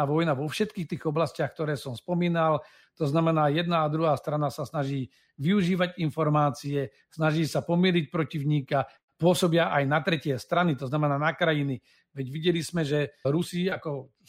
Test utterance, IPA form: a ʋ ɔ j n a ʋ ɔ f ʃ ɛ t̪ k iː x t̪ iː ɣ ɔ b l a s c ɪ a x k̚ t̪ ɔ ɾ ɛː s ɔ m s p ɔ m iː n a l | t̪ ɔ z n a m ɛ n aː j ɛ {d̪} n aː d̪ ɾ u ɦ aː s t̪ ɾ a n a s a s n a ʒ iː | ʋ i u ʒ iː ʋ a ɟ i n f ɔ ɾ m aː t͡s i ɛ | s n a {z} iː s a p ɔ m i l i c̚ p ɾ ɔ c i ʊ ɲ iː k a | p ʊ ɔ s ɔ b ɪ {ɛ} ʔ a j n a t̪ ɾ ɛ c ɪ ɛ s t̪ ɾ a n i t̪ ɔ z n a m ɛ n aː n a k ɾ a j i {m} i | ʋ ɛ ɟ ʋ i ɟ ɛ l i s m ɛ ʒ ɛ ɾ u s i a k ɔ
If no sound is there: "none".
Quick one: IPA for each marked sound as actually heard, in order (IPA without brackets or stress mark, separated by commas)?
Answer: d̪, ʒ, a, n